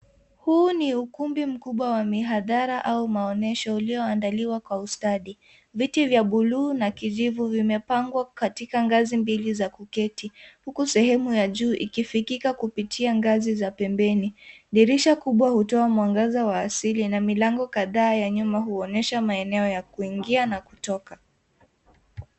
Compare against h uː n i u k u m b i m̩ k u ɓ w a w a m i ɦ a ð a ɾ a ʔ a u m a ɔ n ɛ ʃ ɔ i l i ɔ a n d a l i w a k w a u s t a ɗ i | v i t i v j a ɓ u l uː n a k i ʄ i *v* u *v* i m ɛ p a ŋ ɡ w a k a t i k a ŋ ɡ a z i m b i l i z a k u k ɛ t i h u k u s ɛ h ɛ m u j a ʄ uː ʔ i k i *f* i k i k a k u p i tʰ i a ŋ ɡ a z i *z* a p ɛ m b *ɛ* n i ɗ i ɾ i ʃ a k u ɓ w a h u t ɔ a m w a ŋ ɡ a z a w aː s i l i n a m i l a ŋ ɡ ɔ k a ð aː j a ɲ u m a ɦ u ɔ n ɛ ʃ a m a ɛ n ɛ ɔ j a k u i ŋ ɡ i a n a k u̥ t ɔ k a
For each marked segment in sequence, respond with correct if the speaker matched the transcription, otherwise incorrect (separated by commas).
correct, correct, correct, correct, correct